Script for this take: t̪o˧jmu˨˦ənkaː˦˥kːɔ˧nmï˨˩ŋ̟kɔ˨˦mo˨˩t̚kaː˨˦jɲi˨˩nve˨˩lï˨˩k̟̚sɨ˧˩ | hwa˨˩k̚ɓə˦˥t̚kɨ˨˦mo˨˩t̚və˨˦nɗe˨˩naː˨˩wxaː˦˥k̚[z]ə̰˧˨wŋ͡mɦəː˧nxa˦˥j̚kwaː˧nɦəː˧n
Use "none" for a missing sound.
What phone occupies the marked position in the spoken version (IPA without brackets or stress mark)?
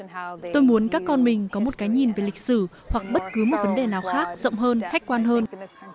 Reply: z